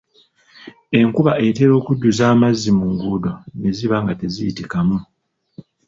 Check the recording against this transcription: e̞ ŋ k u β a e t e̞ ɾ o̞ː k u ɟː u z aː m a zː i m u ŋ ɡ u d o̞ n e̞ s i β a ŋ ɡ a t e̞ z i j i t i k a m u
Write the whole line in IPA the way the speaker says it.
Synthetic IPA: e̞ ŋ k u β a e t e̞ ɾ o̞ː k u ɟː u z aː m a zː i m u ŋ ɡ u d o̞ n e̞ z i β a ŋ ɡ a t e̞ z i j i t i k a m u